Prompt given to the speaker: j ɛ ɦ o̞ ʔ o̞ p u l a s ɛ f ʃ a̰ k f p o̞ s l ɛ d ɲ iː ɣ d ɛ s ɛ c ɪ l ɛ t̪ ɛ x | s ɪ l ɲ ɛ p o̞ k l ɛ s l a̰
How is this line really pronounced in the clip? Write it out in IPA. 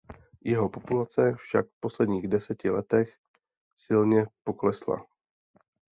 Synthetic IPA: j ɛ ɦ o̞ p o̞ p u l a t͡s ɛ f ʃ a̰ k f p o̞ s l ɛ d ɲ iː ɣ d ɛ s ɛ c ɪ l ɛ t̪ ɛ x | s ɪ l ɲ ɛ p o̞ k l ɛ s l a̰